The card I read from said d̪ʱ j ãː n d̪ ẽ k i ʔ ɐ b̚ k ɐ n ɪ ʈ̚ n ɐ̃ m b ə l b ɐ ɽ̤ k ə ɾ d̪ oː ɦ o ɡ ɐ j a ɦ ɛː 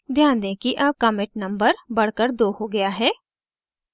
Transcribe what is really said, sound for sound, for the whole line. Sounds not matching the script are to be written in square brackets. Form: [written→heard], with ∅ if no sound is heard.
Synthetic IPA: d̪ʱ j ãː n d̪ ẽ k i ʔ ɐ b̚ k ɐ [n→m] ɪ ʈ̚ n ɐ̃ m b ə [l→ɾ] b ɐ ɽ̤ k ə ɾ d̪ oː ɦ o ɡ ɐ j a ɦ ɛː